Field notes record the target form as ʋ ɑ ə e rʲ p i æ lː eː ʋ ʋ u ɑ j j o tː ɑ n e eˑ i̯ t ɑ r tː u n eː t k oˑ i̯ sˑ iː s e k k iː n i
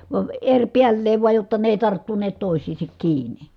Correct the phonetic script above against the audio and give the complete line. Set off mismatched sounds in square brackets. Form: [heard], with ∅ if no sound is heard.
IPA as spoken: ʋ ɑ ə e rʲ p i æ lː eː ʋ ʋ u ɑ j j o tː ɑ n e eˑ i̯ t ɑ r tː u n eː t [t] oˑ i̯ sˑ iː s e k k iː n i